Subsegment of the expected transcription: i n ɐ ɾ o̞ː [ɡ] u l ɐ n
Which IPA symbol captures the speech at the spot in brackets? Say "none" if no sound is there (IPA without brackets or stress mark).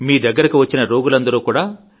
ɡ